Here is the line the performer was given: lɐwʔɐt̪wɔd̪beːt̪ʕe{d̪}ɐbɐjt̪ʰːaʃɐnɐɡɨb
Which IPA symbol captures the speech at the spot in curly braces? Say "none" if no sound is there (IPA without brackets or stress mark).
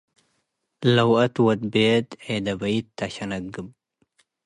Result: d̪